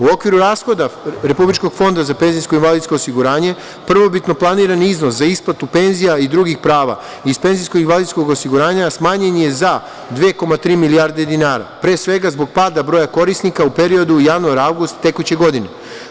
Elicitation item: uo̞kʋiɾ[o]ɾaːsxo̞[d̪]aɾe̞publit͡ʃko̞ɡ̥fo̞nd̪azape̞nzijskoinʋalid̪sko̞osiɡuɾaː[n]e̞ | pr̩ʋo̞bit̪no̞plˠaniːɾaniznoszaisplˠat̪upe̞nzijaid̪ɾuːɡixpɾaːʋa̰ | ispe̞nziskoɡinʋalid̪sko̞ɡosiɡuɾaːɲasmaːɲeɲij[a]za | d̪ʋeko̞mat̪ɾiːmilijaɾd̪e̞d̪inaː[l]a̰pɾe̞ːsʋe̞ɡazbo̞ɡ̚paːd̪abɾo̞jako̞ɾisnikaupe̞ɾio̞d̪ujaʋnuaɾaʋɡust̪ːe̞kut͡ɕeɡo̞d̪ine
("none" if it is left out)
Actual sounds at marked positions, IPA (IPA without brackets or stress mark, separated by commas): u, d̪, ɲ, e, ɾ